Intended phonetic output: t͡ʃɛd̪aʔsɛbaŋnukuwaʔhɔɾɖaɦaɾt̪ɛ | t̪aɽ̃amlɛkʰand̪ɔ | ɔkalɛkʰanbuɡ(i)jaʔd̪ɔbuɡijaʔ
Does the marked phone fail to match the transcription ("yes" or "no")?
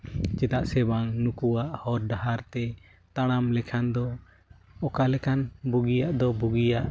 no